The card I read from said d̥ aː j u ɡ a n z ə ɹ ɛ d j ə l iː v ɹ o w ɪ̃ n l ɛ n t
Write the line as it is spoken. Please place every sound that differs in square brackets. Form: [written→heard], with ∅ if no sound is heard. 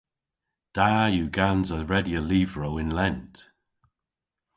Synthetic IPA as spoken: d̥ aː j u ɡ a n z ə ɹ ɛ d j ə l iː v ɹ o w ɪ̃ n l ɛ n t